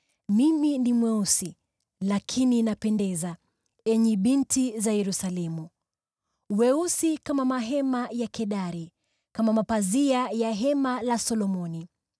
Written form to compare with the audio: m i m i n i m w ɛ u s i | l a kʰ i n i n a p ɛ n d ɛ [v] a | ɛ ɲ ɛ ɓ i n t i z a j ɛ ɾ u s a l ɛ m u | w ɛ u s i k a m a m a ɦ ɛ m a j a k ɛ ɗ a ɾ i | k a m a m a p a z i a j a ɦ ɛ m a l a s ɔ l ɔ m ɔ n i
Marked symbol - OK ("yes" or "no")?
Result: no